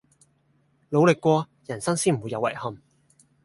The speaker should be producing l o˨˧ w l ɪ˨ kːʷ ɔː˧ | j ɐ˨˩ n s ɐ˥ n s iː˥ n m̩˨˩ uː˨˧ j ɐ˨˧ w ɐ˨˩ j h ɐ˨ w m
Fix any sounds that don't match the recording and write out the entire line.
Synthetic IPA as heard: l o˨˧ w l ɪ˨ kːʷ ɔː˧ | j ɐ˨˩ n s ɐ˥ ŋ s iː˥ n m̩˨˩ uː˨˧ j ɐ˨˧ w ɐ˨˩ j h ɐ˨ m